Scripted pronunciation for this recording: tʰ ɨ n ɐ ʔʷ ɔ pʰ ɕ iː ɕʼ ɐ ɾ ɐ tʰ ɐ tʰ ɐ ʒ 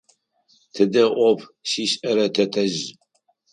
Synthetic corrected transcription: tʰ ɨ d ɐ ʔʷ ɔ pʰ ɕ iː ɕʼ ɐ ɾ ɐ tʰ ɐ tʰ ɐ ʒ

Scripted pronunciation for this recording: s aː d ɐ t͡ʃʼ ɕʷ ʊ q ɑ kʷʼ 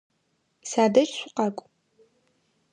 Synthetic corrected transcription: s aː d ɐ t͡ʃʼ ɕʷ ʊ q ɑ kʷʼ

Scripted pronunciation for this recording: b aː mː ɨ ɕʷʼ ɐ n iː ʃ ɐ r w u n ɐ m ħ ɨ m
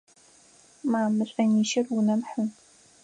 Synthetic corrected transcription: m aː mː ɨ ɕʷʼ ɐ n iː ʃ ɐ r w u n ɐ m ħ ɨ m

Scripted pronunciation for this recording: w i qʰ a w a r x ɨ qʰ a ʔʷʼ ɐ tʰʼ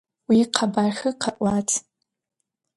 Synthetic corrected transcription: w i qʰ a b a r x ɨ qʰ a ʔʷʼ a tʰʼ

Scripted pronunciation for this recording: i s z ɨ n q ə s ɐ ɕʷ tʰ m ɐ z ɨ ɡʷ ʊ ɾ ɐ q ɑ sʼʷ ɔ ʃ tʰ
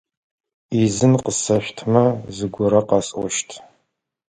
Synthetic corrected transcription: i z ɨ n q ə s ɐ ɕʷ tʰ m ɐ z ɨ ɡʷ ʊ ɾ ɐ q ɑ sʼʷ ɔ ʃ tʰ

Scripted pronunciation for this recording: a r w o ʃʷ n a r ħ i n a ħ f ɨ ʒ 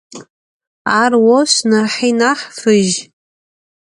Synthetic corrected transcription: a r w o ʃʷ n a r ħ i n a ħ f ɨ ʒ

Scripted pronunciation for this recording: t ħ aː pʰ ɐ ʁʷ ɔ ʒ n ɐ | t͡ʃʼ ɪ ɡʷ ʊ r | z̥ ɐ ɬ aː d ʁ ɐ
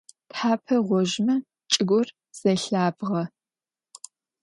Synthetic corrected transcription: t ħ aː pʰ ɐ ʁʷ ɔ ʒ m ɐ | t͡ʃʼ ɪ ɡʷ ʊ r | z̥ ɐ ɬ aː b ʁ ɐ

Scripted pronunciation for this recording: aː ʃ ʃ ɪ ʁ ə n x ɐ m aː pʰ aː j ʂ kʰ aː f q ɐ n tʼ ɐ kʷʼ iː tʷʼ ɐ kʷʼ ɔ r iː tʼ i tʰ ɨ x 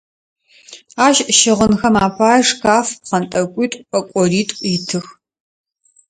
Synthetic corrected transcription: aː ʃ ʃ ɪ ʁ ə n x ɐ m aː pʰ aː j ʂ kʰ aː f q ɐ n tʼ ɐ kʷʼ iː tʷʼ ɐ kʷʼ ɔ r iː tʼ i tʰ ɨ x

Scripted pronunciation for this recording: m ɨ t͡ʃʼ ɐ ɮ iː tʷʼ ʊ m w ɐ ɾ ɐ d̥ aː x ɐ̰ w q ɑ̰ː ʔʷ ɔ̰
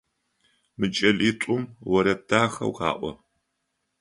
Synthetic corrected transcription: m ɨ t͡ʃʼ ɐ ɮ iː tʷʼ ʊ m w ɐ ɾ ɐ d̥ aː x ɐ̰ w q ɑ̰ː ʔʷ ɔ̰

